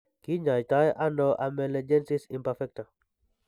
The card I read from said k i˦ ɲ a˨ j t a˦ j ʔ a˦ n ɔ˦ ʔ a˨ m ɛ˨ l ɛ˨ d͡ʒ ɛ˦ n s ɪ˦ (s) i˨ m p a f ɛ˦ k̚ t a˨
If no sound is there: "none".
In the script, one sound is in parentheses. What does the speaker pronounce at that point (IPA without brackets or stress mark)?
s